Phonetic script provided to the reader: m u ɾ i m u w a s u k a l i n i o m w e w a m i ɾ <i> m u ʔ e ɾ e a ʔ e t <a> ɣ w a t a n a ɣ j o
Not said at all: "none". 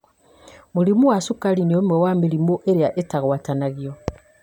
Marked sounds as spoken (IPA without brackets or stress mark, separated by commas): i, a